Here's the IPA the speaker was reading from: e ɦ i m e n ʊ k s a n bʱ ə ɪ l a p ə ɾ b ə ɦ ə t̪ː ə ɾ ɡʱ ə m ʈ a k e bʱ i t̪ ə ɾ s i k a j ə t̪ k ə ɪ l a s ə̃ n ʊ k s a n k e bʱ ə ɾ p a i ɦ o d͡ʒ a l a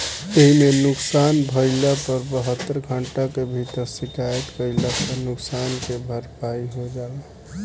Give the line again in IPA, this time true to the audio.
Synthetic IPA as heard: e ɦ i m e n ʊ k s a n bʱ ə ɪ l a p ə ɾ b ə ɦ ə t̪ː ə ɾ ɡʱ ə ɳ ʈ a k e bʱ i t̪ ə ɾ s i k a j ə t̪ k ə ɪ l a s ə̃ n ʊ k s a n k e bʱ ə ɾ p a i ɦ o d͡ʒ a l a